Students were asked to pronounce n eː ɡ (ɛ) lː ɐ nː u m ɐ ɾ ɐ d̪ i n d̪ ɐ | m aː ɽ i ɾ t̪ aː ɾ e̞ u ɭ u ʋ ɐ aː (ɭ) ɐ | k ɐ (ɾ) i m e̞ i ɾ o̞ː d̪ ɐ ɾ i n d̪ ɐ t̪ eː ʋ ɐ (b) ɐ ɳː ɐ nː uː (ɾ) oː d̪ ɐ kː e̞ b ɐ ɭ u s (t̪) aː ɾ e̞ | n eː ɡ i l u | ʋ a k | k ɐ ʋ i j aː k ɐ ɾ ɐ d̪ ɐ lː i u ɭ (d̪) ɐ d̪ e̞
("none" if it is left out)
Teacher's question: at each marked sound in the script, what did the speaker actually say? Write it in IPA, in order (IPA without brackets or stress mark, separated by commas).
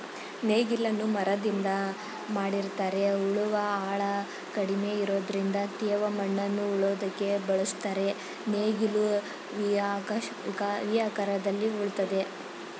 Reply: i, ɭ, ɽ, m, ɭ, t̪, t̪